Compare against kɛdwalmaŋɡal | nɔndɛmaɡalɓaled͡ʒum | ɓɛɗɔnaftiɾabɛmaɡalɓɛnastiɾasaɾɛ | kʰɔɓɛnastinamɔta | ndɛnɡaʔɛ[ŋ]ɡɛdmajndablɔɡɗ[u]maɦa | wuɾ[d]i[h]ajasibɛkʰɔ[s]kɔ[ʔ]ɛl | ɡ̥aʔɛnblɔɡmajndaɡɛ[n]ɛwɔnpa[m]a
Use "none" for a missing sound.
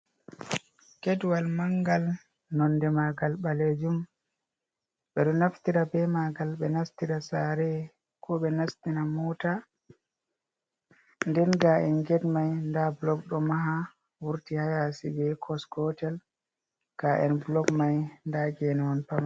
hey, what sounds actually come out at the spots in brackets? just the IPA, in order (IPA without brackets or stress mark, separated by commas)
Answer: n, ɔ, t, h, s, t, n, m